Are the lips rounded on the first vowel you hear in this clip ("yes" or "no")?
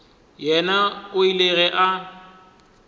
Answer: no